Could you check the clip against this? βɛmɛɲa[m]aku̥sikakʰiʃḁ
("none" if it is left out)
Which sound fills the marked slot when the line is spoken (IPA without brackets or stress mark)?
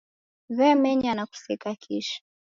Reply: n